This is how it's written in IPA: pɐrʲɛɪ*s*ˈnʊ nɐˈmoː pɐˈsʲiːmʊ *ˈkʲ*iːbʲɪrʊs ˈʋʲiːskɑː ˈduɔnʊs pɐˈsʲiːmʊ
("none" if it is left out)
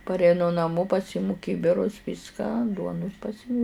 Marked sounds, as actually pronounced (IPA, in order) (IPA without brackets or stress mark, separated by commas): none, kʲ